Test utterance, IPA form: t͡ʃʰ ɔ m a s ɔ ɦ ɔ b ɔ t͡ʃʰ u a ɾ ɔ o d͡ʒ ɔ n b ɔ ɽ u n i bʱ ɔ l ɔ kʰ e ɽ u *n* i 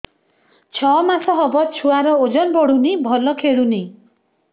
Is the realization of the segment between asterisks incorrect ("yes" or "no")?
no